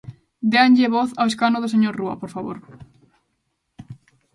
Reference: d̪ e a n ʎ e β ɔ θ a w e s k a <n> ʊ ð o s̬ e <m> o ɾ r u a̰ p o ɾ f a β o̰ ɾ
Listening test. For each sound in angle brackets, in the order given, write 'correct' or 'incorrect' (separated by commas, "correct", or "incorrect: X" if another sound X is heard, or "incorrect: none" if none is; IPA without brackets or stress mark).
correct, incorrect: ɲ